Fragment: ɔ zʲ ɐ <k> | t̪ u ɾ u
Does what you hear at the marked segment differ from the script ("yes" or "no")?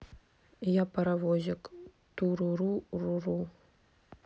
no